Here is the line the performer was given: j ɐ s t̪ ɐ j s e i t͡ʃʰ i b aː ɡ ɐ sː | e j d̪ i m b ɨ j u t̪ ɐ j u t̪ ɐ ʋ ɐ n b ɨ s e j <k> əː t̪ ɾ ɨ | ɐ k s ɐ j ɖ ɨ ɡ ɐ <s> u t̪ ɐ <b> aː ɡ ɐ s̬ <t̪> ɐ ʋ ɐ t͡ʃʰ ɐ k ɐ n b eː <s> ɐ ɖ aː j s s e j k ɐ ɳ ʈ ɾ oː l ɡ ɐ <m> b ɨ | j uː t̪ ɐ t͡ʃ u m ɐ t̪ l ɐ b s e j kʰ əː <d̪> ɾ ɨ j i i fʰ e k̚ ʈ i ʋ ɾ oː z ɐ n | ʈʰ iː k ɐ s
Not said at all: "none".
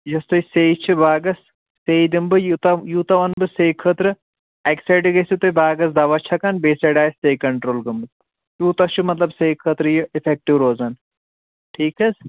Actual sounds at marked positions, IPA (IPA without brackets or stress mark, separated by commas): kʰ, s, b, d̪, s, m, t̪